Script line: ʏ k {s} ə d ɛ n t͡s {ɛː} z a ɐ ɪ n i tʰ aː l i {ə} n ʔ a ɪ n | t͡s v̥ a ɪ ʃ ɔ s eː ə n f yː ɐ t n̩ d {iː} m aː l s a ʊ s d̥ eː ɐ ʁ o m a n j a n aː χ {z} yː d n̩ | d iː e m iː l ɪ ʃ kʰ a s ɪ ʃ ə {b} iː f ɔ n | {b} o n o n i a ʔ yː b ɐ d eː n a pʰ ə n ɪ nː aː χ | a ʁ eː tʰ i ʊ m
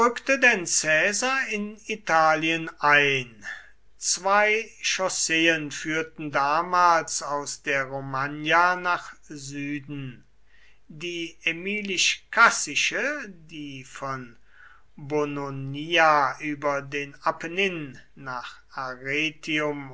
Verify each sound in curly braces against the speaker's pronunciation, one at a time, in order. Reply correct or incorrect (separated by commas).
incorrect, correct, correct, incorrect, correct, incorrect, correct